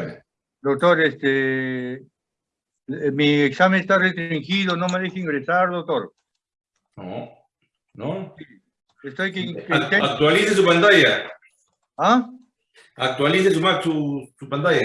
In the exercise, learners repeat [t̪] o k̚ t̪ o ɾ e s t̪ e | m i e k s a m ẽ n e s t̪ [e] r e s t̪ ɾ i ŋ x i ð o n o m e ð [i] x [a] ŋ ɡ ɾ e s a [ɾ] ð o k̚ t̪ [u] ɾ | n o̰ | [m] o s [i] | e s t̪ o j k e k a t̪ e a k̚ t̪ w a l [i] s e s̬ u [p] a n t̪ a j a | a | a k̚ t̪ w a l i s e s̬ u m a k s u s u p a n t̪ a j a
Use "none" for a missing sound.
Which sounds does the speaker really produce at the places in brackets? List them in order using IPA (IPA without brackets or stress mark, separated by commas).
d̪, a, e, i, ɾ, o, n, i, i, p